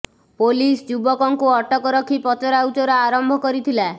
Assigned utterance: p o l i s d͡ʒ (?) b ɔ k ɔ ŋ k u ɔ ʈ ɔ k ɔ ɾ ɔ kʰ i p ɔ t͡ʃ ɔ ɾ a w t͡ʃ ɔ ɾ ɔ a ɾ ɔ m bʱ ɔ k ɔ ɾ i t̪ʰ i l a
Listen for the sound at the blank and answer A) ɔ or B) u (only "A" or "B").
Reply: B